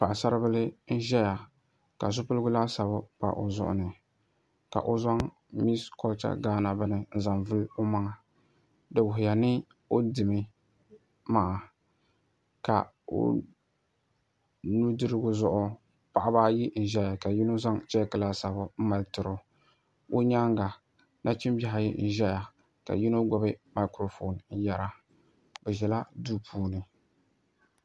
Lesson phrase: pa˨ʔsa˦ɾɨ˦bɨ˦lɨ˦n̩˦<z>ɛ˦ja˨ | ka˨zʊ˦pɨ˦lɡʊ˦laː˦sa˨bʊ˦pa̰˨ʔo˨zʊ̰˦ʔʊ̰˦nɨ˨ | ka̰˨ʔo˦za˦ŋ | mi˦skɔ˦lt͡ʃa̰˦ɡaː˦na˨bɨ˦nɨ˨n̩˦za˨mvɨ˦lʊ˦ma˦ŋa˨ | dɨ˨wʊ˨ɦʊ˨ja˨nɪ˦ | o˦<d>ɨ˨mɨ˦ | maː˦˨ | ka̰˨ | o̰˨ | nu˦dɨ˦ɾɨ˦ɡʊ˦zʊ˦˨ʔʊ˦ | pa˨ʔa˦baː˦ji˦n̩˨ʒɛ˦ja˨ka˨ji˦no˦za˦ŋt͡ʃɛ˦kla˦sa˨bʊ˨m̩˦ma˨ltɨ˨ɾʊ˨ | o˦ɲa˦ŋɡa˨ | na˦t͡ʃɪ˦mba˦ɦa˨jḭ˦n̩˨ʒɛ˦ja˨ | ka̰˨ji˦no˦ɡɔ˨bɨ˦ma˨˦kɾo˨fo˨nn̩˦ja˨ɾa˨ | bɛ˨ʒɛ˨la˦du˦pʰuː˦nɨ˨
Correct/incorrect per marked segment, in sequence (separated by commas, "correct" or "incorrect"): incorrect, correct